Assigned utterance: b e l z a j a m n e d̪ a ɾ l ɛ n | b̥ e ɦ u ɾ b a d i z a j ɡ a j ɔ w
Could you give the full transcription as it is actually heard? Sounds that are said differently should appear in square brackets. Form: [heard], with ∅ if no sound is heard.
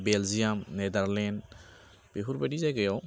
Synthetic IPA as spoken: b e l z [i] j a m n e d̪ a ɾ l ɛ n | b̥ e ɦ u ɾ b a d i z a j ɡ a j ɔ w